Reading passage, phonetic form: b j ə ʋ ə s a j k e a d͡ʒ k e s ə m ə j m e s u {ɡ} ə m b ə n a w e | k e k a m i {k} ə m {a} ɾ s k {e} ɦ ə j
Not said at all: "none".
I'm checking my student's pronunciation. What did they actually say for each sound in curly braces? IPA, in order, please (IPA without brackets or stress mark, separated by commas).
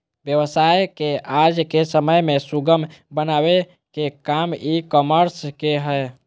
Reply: ɡ, k, ə, e